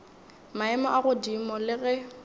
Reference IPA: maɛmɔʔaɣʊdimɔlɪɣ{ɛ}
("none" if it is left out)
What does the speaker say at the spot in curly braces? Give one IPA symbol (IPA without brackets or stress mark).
ɛ